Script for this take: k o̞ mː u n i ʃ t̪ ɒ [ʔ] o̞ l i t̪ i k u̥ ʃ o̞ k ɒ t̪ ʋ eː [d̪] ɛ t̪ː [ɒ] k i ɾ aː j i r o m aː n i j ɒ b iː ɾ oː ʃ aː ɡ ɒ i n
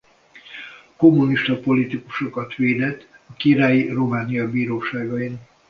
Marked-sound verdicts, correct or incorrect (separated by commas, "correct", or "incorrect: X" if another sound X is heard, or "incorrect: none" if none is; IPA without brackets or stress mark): incorrect: p, correct, correct